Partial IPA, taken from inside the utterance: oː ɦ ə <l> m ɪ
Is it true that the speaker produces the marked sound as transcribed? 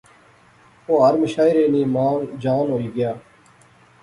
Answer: no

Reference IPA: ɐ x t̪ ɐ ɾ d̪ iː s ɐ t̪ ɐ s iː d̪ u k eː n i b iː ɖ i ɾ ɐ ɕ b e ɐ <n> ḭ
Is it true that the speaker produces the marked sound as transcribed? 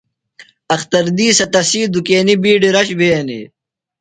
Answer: yes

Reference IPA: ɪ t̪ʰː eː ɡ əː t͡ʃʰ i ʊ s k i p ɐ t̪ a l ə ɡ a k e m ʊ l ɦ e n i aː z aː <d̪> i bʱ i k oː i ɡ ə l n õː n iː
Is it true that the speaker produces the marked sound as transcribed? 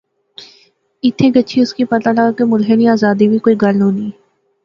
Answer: yes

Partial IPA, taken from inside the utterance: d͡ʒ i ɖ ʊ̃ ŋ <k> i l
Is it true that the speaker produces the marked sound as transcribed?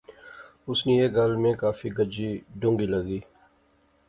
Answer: no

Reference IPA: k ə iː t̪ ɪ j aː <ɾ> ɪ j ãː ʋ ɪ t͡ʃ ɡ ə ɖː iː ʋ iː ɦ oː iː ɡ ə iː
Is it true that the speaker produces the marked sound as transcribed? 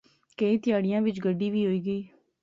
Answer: no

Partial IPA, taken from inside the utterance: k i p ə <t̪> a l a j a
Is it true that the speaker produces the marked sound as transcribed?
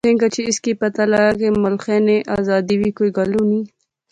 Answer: yes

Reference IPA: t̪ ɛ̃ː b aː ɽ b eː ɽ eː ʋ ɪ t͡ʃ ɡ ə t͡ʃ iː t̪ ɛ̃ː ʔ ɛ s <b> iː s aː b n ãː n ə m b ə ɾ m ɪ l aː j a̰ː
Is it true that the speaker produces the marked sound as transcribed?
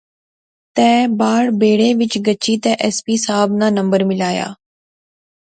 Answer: no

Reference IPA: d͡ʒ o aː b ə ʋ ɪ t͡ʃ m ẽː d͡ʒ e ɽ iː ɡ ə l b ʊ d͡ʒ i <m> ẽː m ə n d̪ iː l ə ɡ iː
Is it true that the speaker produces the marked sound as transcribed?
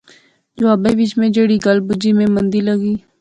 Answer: yes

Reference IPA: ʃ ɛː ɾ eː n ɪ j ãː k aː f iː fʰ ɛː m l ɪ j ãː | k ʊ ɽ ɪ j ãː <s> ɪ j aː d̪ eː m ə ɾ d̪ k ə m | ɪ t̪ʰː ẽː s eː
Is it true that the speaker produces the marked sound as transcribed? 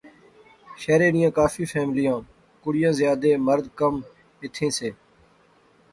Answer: no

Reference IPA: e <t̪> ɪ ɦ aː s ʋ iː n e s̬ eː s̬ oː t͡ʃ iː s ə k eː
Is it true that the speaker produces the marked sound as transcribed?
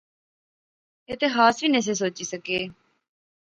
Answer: yes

